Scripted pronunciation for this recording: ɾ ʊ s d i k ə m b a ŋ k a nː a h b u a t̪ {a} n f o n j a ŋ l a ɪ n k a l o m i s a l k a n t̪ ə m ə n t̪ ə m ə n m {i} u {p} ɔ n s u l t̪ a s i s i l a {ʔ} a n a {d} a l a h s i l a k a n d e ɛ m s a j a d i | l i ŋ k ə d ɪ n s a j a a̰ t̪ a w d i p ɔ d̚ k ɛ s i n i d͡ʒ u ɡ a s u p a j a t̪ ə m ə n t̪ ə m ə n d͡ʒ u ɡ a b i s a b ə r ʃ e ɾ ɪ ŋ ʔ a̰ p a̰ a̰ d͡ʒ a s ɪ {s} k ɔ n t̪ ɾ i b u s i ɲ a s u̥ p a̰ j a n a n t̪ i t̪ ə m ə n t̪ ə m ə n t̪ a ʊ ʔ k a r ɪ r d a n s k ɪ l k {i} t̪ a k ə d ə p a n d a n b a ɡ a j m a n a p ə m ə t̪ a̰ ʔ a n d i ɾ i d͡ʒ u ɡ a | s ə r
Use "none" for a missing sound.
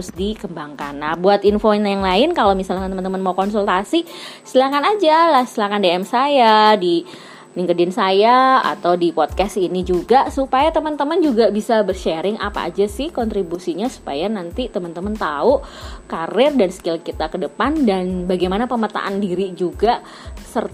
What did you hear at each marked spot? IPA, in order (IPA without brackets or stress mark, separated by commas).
i, a, k, k, d͡ʒ, h, i